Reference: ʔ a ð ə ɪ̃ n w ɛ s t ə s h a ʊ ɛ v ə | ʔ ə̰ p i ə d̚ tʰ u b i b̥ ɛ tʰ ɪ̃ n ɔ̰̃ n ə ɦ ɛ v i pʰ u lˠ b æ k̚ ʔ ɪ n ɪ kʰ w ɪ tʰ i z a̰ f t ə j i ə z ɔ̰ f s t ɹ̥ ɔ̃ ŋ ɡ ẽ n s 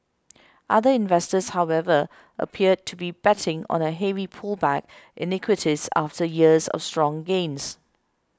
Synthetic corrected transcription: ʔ a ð ə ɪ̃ n v ɛ s t ə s h a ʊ ɛ v ə | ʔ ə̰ pʰ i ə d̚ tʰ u b i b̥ ɛ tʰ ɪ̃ ŋ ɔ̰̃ n ə ɦ ɛ v i pʰ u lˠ b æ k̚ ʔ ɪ n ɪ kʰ w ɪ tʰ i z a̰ f t ə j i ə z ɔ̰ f s t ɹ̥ ɔ̃ ŋ ɡ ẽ n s